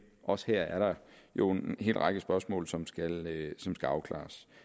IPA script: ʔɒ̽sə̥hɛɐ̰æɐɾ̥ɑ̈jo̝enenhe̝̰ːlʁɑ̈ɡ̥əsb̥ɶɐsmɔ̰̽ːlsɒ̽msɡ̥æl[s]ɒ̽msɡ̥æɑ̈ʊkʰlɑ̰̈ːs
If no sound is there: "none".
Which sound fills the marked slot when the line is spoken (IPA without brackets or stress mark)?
s